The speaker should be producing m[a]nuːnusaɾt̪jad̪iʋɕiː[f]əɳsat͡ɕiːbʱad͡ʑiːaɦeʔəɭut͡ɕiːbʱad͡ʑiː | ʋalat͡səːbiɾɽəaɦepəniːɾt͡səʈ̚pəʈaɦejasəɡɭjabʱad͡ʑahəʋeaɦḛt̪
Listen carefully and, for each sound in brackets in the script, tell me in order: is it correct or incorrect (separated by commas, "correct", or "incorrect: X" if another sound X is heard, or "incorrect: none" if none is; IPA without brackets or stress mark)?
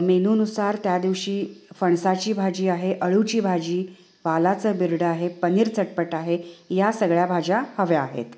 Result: incorrect: e, correct